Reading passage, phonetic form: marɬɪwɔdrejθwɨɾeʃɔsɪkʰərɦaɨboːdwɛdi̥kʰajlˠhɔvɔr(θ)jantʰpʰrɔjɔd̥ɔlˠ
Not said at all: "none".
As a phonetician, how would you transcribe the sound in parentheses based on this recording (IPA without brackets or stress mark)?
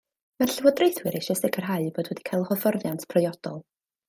ð